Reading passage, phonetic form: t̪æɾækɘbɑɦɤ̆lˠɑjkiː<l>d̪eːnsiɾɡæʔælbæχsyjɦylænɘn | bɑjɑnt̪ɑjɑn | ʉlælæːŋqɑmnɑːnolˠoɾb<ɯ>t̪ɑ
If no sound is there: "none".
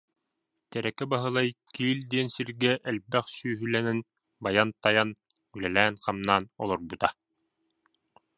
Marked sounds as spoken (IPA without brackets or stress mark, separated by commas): l, u